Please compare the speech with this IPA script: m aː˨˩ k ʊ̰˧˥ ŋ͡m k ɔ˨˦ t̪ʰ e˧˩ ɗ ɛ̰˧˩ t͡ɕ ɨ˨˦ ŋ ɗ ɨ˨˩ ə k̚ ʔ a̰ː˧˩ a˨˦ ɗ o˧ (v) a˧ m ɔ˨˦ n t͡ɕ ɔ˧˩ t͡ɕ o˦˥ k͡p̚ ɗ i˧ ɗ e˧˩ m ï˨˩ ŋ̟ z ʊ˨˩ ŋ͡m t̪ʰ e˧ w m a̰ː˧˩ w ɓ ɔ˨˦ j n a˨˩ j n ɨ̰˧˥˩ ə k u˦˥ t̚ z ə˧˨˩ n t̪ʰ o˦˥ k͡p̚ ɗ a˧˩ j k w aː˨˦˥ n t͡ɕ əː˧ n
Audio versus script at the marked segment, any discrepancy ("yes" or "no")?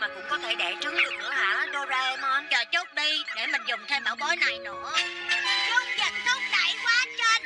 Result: yes